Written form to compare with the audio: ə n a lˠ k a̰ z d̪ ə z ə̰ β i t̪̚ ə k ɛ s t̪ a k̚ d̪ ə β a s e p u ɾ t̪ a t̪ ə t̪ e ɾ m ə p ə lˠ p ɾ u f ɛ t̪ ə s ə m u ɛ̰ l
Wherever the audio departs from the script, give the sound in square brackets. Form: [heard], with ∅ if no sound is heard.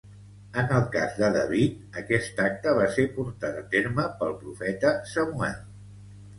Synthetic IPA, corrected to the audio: ə n [ə] lˠ k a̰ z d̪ ə [ð] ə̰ β i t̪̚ ə k ɛ s t̪ a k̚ [t̪] ə β a s e p u ɾ t̪ a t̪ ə t̪ e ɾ m ə p ə lˠ p ɾ u f ɛ t̪ ə s ə m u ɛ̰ l